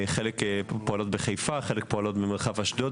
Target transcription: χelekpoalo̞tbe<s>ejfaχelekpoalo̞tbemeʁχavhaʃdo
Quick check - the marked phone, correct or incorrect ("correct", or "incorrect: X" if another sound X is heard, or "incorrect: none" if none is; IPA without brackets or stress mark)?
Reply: incorrect: χ